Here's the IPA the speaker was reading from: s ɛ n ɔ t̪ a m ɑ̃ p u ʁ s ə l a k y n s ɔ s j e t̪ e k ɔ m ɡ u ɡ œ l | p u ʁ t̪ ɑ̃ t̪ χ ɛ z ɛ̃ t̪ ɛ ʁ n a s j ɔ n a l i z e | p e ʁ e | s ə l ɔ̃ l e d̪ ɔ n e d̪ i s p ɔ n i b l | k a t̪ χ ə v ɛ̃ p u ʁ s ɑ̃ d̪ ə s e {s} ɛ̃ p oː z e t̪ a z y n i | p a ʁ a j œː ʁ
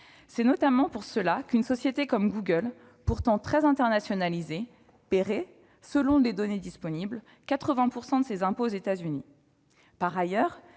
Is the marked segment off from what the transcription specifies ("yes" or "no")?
yes